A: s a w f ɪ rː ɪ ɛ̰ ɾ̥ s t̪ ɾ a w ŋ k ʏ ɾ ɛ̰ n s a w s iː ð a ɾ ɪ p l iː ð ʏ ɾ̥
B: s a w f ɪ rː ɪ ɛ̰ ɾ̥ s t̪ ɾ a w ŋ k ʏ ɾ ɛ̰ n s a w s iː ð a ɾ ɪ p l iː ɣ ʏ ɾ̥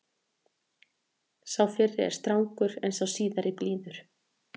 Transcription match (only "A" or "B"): A